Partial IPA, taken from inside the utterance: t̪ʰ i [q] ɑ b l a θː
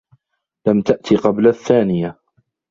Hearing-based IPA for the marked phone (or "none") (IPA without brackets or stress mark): q